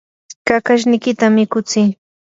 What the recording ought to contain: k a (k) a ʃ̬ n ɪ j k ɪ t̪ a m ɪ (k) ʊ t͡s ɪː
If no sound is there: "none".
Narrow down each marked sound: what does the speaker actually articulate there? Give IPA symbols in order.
k, k

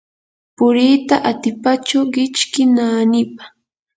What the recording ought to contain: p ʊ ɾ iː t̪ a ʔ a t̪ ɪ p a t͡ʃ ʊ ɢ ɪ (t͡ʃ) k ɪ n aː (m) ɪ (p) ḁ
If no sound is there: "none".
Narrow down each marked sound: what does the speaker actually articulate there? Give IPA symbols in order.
t͡ʃ, n, p

